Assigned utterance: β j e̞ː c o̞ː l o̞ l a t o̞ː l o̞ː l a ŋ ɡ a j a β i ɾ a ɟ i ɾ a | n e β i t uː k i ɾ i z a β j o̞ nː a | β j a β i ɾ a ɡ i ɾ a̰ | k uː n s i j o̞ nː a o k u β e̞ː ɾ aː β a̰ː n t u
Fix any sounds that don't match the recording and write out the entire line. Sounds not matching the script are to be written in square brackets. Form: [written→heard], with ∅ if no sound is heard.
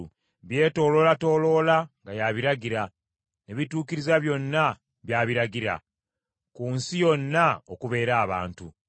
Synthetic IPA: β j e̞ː [c→t] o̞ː l o̞ l a t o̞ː l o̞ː l a ŋ ɡ a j a β i ɾ a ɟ i ɾ a | n e β i t uː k i ɾ i z a β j o̞ nː a | β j a β i ɾ a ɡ i ɾ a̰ | k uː n s i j o̞ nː a o k u β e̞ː ɾ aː β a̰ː n t u